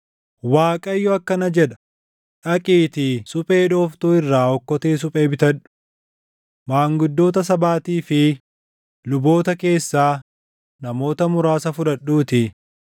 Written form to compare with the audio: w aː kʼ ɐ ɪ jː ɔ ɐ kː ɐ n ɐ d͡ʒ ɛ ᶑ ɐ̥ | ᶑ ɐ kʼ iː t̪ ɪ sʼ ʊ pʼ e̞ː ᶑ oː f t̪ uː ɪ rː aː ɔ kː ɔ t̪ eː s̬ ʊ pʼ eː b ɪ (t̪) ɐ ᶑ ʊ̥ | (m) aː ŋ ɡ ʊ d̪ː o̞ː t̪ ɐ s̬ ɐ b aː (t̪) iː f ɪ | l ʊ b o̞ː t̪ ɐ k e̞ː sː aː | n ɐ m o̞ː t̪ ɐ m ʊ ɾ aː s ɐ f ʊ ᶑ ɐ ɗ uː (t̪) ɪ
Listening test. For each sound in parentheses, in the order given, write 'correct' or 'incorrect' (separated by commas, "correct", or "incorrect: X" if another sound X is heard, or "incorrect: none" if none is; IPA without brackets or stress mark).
correct, correct, correct, correct